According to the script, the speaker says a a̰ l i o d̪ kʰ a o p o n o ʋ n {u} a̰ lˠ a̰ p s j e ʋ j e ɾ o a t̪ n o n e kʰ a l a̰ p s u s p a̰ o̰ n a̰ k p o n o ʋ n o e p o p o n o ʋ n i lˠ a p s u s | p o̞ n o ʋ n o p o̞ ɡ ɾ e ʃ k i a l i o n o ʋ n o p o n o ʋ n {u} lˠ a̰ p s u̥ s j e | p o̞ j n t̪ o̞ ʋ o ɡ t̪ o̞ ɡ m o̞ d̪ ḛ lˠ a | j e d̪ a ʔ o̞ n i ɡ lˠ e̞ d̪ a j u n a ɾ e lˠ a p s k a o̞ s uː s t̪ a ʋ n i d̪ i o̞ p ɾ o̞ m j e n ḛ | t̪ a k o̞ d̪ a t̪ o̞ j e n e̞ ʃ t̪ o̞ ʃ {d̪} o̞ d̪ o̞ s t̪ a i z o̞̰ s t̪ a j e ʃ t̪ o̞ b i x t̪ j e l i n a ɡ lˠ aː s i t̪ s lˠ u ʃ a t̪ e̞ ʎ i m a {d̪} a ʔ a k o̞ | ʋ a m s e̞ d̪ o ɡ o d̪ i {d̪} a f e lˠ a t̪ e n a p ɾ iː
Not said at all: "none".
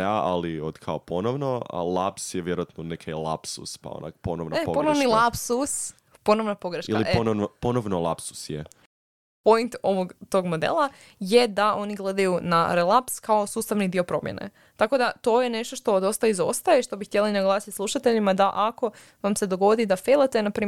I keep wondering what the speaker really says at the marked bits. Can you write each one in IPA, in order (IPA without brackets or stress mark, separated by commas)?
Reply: o, o, t̪, d̪, d̪